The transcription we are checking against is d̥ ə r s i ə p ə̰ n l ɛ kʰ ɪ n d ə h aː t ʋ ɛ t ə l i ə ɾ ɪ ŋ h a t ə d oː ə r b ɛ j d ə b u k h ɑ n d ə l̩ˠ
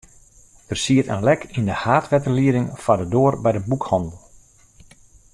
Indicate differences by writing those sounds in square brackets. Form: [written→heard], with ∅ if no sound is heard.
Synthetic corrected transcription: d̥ ə r s i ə [p→t] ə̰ n l ɛ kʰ [ɪ→i] n d ə h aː t ʋ ɛ t ə l i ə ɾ ɪ ŋ [h→f] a [t→d] ə d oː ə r b ɛ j d ə b u k h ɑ n d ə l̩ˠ